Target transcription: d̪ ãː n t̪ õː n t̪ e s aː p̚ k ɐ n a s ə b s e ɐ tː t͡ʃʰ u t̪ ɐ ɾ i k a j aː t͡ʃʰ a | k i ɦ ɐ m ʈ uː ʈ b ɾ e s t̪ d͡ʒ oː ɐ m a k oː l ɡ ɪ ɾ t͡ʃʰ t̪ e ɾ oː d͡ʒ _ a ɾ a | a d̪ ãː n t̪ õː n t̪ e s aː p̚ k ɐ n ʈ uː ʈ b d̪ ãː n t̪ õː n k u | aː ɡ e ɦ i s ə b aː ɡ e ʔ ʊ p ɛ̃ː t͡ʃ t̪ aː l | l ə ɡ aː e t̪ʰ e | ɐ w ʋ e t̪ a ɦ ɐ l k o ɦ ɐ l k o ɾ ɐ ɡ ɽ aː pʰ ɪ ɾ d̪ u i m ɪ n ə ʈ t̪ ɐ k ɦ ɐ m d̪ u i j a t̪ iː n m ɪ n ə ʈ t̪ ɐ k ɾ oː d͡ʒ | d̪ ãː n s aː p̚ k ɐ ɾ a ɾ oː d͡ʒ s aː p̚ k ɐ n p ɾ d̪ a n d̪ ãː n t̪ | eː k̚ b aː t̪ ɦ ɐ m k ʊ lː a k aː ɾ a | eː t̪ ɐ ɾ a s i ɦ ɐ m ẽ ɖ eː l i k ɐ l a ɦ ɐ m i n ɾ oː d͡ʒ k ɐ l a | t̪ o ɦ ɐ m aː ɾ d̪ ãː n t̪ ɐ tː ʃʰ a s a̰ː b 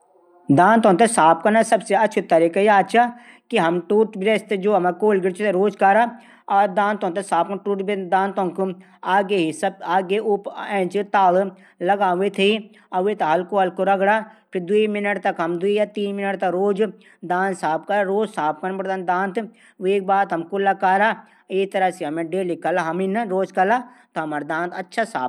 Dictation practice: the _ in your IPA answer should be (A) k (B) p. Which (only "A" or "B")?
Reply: A